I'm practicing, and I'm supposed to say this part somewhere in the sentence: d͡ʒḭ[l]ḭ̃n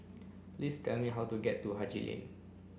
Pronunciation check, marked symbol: correct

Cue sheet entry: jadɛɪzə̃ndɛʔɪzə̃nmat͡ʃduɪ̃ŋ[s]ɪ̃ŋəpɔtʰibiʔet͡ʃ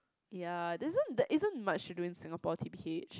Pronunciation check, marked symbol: correct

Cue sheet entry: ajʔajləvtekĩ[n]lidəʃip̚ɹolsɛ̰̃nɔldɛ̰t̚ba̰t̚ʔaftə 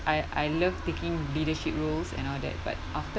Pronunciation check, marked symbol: incorrect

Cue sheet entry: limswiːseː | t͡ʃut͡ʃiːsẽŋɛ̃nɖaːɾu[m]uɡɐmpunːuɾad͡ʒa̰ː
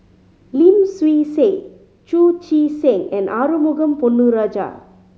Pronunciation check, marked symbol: correct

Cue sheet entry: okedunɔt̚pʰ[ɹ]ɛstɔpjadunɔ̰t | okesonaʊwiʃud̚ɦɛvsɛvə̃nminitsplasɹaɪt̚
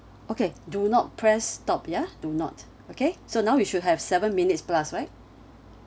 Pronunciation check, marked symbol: correct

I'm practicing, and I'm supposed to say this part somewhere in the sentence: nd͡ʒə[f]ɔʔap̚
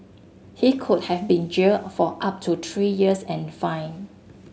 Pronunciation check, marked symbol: correct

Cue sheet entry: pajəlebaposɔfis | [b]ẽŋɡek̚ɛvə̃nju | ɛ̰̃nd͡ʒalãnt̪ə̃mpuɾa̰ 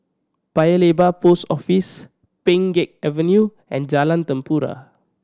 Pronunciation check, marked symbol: incorrect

